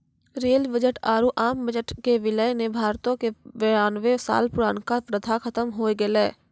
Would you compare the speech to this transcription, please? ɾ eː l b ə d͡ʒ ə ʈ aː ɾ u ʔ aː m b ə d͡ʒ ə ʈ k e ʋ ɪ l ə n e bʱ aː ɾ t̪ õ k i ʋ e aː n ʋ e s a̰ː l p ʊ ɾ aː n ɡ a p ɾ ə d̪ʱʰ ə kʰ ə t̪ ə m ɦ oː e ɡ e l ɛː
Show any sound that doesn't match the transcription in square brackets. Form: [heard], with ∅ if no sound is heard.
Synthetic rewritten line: ɾ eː l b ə d͡ʒ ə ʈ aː ɾ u ʔ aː m b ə d͡ʒ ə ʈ k e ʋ ɪ l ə n e bʱ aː ɾ t̪ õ k [e] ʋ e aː n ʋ e s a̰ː l p ʊ ɾ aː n [k] a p ɾ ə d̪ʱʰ [a] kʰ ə t̪ ə m ɦ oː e ɡ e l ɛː

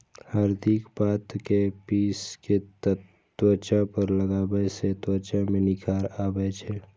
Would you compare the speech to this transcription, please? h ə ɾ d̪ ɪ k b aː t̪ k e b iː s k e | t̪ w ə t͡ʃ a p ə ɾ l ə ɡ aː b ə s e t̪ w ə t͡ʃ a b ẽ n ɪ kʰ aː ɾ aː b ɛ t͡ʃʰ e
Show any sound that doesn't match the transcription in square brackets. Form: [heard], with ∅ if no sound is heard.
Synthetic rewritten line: h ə ɾ d̪ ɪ k b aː t̪ k e [p] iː s k e | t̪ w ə t͡ʃ a p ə ɾ l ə ɡ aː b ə s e t̪ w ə t͡ʃ a [m] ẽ n ɪ kʰ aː ɾ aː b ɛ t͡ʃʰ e

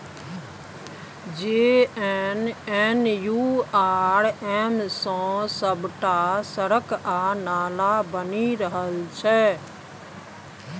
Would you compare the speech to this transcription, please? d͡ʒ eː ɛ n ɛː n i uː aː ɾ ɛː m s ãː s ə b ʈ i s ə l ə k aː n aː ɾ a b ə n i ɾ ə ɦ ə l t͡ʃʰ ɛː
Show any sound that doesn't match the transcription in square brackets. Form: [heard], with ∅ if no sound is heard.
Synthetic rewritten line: d͡ʒ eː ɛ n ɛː n [j] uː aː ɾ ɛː m s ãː s ə b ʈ [a] s ə [ɾ] ə k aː n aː [l] a b ə n i ɾ ə ɦ ə l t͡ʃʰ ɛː

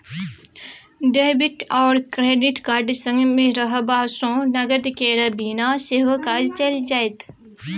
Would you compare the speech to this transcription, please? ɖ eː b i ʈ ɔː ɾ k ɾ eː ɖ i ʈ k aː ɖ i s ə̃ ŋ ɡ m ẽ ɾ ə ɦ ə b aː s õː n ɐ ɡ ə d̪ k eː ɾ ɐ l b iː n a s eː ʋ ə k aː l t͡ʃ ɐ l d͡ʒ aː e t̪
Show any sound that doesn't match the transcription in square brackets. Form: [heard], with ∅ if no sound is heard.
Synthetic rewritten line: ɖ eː b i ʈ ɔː ɾ k ɾ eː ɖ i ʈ k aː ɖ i s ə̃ ŋ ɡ m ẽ ɾ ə ɦ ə b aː s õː n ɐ ɡ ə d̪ k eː ɾ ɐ [∅] b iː n a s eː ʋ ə k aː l t͡ʃ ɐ l d͡ʒ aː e t̪

